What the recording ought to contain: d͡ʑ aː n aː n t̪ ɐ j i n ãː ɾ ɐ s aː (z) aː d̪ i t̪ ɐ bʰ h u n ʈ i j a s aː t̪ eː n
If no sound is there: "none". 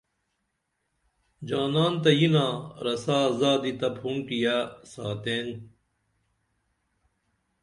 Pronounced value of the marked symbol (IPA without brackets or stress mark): z